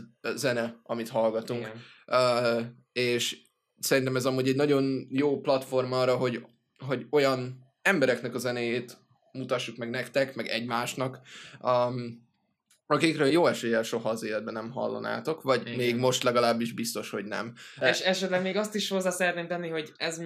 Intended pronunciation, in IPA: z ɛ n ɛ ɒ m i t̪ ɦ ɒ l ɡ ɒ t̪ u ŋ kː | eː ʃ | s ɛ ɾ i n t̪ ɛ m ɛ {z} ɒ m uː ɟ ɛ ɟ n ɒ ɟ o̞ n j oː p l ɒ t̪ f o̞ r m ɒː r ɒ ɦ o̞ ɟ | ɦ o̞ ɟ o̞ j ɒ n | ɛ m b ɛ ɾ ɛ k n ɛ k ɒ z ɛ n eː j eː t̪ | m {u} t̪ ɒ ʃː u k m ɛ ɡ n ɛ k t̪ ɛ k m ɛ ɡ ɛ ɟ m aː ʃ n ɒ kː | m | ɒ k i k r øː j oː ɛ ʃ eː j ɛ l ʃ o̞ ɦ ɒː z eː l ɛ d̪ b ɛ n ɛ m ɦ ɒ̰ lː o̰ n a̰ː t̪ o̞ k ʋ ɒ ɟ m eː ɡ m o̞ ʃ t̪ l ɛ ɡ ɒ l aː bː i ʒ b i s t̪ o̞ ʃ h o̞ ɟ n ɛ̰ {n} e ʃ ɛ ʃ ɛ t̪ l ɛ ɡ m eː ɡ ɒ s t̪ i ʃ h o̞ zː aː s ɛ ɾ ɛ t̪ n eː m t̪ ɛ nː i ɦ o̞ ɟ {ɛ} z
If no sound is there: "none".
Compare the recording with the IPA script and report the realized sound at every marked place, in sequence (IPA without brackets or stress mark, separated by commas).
z, u, m, ɛ